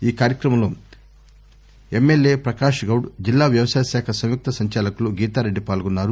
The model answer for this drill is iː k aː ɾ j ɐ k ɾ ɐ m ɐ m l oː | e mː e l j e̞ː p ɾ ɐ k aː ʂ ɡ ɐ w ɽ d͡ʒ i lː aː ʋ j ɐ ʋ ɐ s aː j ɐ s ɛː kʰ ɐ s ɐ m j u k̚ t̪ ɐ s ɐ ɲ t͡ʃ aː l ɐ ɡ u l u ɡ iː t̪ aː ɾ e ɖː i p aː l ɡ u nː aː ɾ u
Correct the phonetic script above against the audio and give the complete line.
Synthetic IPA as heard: iː k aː ɾ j ɐ k ɾ ɐ m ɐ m l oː | e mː e l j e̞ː p ɾ ɐ k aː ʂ ɡ ɐ w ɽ d͡ʒ i lː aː ʋ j ɐ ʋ ɐ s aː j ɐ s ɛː kʰ ɐ s ɐ m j u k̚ t̪ ɐ s ɐ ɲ t͡ʃ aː l ɐ k u l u ɡ iː t̪ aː ɾ e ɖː i p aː l ɡ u nː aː ɾ u